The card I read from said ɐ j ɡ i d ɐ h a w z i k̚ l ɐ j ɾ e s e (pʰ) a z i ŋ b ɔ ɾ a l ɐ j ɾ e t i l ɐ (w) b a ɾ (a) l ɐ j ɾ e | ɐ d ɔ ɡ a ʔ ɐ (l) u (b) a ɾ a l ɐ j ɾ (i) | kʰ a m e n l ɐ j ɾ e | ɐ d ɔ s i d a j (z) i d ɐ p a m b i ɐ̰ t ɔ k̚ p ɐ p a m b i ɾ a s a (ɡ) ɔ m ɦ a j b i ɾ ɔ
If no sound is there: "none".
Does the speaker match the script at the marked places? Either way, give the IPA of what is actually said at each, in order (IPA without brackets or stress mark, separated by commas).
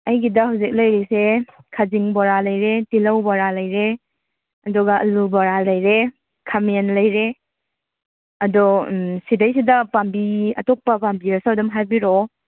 kʰ, w, a, l, b, e, s, d